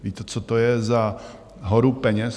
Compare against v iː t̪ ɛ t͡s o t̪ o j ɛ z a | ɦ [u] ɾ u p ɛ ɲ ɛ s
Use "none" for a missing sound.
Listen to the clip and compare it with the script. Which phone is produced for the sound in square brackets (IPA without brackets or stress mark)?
o